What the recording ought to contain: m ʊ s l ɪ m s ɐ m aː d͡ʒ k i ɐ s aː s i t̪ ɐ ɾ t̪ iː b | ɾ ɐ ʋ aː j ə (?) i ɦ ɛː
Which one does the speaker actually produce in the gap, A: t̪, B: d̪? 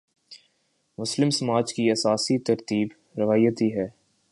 A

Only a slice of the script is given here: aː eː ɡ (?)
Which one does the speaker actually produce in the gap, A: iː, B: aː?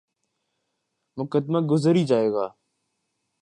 B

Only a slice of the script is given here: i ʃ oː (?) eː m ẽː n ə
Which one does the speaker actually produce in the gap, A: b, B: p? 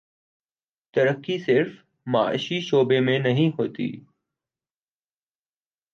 A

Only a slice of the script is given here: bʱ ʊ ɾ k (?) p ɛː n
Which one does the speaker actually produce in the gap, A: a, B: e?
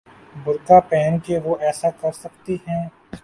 A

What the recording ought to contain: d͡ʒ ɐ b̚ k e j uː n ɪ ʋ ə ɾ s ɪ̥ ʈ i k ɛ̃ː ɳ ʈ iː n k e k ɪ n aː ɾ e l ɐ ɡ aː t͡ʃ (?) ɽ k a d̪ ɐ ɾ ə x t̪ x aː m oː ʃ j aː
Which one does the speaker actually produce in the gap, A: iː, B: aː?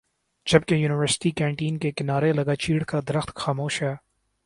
A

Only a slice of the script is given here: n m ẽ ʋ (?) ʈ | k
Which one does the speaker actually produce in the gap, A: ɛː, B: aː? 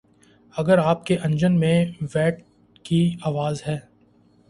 A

